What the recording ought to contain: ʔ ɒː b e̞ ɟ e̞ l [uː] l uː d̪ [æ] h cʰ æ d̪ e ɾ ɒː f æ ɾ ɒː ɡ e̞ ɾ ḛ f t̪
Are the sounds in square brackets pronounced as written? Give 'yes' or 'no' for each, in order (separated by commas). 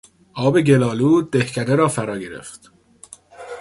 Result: no, no